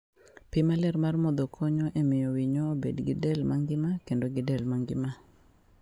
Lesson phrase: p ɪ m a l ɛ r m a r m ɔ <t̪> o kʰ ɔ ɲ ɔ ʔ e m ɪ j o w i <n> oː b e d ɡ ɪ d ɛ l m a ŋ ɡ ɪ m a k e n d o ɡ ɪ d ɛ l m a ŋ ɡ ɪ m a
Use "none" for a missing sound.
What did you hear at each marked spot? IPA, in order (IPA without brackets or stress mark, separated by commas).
d̪, ɲ